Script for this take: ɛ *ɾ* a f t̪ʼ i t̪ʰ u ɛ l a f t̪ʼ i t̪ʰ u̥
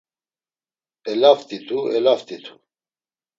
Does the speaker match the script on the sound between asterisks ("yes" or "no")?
no